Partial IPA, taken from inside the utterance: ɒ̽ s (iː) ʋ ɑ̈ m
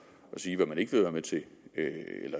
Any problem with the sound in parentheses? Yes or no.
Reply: no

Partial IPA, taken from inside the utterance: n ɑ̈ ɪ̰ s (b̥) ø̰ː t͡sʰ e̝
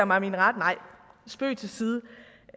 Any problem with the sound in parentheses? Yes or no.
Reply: no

